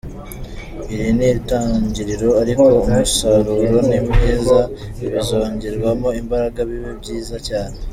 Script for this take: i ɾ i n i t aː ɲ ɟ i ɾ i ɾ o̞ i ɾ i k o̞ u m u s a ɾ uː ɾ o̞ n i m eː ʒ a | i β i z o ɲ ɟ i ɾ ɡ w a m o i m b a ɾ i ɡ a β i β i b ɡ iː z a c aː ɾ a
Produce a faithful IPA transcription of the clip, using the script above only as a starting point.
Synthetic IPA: i ɾ i n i t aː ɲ ɟ i ɾ i ɾ o̞ a ɾ i k o̞ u m u s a ɾ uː ɾ o̞ n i m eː z a | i β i z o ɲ ɟ i ɾ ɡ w a m o i m b a ɾ a ɡ a β i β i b ɟ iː z a c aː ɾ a